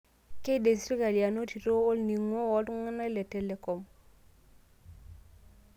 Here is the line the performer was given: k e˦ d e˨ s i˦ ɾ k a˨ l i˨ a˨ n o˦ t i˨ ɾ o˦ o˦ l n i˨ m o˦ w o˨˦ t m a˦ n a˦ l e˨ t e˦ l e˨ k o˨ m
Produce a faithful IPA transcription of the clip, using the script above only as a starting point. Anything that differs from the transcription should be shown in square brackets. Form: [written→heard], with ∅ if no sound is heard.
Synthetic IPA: k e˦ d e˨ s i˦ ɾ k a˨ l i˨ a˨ n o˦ t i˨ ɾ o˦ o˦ l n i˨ [m→ŋ] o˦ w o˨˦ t [m→ŋ] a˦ n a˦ l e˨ t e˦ l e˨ k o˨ m